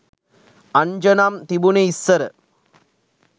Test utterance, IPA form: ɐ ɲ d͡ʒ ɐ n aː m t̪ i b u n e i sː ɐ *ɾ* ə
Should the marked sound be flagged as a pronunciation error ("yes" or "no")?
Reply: no